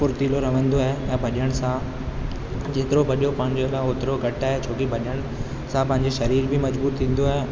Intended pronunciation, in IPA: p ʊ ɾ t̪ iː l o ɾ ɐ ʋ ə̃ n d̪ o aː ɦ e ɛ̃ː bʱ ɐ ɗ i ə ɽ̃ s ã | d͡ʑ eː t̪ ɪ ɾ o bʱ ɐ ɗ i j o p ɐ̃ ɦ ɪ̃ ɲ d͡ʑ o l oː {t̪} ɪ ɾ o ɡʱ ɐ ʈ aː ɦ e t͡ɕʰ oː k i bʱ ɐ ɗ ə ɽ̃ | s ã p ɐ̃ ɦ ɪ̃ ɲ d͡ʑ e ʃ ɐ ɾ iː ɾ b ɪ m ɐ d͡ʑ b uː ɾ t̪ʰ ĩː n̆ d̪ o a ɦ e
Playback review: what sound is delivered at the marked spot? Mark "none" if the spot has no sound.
t̪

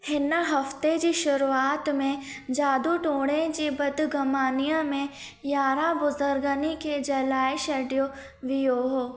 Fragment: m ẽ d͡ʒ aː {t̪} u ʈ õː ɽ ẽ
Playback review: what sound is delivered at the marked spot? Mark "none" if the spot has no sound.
d̪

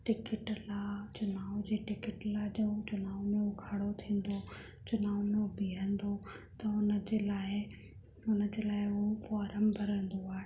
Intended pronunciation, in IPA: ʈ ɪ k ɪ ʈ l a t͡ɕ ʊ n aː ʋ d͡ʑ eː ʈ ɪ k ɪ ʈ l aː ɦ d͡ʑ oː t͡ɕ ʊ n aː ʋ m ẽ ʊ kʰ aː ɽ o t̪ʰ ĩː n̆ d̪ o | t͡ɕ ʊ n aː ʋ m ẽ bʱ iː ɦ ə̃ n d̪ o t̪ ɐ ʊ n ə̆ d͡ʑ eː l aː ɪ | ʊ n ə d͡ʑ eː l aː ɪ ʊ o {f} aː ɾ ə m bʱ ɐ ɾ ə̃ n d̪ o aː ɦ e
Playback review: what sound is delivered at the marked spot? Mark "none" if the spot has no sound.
f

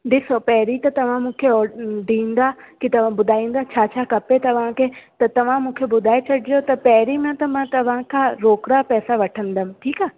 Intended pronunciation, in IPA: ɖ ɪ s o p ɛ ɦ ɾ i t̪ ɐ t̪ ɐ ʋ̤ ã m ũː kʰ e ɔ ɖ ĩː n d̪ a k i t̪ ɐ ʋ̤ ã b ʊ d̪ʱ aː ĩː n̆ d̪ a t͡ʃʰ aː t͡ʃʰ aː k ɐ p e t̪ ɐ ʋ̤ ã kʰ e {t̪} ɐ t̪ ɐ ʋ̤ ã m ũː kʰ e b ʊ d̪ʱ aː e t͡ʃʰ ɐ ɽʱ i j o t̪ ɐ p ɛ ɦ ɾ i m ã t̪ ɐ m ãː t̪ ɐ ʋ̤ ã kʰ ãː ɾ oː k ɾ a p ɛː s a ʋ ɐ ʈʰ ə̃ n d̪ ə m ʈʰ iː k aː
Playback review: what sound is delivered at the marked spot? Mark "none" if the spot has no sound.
t̪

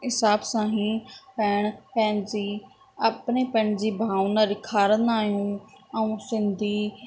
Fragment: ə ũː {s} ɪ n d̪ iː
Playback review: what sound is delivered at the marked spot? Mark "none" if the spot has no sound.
s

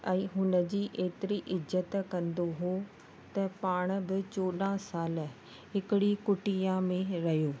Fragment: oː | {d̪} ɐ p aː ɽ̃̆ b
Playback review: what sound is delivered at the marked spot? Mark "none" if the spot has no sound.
t̪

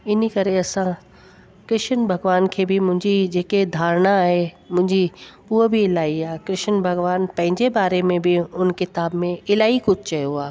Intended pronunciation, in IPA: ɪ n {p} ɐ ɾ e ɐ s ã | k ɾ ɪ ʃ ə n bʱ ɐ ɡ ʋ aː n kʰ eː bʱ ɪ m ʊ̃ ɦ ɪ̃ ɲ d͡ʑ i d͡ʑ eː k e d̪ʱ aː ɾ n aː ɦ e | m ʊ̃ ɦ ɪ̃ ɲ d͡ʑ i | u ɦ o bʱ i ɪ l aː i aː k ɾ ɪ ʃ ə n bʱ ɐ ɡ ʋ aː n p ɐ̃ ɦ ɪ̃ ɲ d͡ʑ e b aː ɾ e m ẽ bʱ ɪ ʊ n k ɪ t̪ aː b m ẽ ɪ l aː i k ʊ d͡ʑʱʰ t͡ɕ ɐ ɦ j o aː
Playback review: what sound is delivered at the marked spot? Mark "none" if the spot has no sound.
k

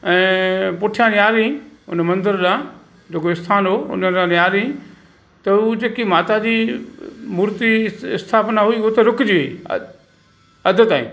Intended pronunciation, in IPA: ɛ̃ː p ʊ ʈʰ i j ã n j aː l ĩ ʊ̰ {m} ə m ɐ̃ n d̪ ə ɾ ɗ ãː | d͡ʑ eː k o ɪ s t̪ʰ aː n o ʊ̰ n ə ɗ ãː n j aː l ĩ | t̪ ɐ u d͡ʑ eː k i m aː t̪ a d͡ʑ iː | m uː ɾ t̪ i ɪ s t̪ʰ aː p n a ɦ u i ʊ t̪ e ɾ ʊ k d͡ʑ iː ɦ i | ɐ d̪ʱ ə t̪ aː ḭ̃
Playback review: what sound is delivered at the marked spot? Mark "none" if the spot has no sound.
n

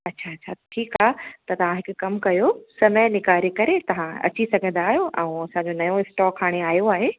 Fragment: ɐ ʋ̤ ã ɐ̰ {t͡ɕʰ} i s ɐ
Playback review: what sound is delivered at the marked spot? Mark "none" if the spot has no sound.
t͡ɕ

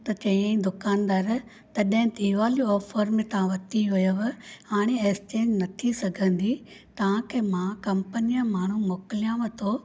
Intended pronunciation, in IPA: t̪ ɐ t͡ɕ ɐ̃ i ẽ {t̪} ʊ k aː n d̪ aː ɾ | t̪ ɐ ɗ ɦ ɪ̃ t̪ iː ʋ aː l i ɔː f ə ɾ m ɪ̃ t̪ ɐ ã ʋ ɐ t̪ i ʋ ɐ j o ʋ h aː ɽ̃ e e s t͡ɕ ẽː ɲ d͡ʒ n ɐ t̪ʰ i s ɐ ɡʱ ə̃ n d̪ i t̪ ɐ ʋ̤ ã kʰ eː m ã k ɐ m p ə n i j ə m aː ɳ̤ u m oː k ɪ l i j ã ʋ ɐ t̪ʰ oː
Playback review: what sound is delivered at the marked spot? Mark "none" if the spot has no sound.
d̪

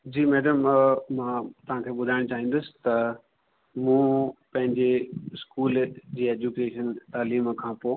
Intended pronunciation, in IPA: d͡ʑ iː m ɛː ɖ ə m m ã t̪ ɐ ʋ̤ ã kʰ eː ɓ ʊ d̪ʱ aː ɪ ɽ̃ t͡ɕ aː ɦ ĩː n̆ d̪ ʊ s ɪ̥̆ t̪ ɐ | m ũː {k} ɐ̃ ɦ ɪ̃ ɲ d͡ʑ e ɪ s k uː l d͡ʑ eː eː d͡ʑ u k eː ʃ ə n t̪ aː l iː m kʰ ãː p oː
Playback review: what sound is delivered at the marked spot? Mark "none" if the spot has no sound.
p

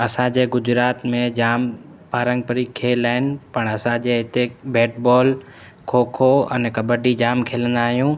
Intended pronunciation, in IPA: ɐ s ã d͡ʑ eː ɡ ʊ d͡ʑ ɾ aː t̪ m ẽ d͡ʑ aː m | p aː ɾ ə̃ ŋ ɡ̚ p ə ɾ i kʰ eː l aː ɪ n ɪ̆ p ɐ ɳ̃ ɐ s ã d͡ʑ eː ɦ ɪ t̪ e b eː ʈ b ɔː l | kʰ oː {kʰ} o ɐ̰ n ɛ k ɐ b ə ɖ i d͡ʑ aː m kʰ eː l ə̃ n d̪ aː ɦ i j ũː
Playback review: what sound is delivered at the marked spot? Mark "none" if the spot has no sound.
kʰ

